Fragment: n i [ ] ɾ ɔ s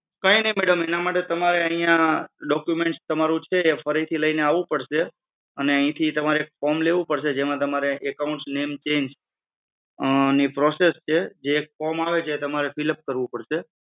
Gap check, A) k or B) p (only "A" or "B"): B